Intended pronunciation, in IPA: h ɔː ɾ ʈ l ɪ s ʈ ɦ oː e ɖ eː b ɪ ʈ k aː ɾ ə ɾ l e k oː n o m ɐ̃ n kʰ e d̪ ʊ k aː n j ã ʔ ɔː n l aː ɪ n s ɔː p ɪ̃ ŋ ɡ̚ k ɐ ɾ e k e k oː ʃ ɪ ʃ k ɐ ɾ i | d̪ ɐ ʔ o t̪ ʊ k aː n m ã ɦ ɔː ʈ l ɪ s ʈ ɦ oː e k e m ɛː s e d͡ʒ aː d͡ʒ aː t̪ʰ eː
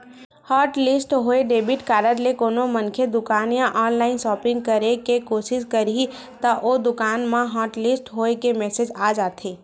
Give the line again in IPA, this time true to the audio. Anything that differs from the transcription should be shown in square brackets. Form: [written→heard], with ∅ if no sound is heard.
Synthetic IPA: h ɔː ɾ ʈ l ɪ s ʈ ɦ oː e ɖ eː b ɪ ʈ k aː ɾ ə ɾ l e k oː n o m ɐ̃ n kʰ e d̪ ʊ k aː n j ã ʔ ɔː n l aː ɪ n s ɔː p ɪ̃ ŋ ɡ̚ k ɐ ɾ e k e k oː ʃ ɪ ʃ k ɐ ɾ i | [d̪→t̪] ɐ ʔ o [t̪→d̪] ʊ k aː n m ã ɦ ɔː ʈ l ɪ s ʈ ɦ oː e k e m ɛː s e d͡ʒ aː d͡ʒ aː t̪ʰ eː